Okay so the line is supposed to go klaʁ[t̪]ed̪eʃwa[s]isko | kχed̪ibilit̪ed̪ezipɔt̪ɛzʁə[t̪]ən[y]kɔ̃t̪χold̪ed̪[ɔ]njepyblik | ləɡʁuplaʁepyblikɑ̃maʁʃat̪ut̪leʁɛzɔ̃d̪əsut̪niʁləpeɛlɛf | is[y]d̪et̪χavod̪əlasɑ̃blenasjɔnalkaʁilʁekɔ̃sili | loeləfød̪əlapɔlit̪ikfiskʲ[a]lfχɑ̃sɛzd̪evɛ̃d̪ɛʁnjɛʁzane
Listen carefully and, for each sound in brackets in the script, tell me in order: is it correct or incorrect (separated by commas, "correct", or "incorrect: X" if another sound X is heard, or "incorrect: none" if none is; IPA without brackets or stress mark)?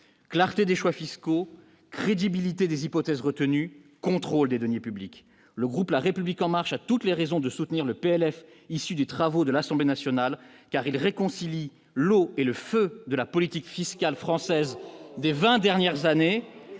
correct, incorrect: f, correct, correct, correct, correct, correct